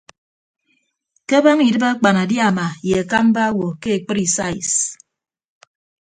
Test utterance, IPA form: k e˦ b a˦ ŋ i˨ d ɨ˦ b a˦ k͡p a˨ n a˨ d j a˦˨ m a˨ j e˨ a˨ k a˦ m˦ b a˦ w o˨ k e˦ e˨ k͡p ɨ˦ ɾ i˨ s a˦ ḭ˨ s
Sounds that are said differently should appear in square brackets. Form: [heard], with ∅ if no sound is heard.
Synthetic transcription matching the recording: k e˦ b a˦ ŋ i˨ d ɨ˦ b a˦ k͡p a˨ n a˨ d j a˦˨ m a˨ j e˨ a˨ k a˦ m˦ b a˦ w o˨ k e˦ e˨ k͡p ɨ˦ ɾ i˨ s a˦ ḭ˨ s